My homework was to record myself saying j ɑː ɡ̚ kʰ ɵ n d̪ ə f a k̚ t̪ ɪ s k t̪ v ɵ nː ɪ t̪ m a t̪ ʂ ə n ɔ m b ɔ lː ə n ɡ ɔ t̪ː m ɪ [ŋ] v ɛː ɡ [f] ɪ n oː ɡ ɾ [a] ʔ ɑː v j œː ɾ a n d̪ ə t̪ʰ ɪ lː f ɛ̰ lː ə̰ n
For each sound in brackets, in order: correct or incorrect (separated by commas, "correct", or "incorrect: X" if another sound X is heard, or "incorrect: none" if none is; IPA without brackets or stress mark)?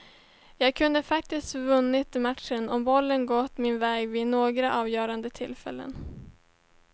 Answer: incorrect: n, incorrect: v, correct